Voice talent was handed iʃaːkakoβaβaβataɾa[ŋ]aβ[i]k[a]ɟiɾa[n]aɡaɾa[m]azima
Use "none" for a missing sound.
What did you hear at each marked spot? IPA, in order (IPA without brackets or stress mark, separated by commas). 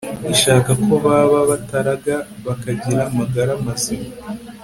ɡ, a, a, m, m